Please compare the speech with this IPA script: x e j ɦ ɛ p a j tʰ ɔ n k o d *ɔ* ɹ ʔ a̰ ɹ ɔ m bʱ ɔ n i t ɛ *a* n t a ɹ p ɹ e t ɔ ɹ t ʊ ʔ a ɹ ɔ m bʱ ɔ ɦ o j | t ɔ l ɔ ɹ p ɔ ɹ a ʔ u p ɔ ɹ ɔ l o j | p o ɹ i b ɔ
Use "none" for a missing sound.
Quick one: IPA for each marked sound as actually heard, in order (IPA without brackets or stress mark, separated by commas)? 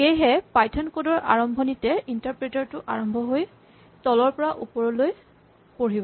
ɔ, i